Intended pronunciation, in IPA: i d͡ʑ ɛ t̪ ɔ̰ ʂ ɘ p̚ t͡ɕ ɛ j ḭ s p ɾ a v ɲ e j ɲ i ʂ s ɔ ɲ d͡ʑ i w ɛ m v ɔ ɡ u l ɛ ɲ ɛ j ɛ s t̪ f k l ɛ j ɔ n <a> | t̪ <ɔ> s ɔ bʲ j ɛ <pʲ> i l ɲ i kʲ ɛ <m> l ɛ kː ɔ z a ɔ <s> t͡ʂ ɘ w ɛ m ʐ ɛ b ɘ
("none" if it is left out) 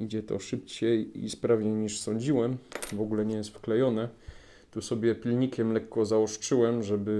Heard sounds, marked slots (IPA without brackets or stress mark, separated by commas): ɛ, u, pʲ, m, ʂ